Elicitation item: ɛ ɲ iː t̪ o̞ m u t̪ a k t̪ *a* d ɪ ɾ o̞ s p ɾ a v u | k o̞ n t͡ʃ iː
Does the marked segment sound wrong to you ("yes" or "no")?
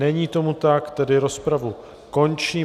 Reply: yes